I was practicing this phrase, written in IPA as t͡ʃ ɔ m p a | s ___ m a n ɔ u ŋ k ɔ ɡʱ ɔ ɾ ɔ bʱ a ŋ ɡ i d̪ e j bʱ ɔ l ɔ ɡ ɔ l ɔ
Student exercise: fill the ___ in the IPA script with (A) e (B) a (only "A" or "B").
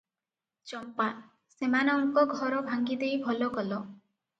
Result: A